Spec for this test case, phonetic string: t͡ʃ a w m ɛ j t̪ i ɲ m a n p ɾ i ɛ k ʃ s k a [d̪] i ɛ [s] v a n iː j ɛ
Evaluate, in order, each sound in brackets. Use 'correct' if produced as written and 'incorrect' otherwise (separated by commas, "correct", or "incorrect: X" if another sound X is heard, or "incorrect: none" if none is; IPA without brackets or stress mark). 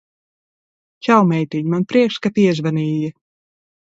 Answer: incorrect: t̪, incorrect: z